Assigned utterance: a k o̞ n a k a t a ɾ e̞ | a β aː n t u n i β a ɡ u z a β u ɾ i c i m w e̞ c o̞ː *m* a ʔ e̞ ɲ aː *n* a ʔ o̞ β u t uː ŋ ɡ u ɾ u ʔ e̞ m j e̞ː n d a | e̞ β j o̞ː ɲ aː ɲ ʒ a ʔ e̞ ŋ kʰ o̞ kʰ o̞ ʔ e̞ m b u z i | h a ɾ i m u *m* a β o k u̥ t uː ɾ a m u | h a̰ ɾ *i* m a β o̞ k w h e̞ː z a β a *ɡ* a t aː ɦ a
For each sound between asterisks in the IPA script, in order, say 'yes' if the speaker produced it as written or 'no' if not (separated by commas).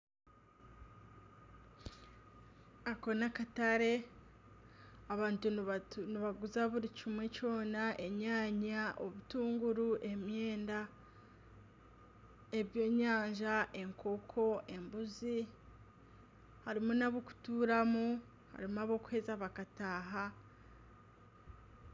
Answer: no, no, no, yes, no